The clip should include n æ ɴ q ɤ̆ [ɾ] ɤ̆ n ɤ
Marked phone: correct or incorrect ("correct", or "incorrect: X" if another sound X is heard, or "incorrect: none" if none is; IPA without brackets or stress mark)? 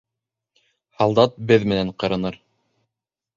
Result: correct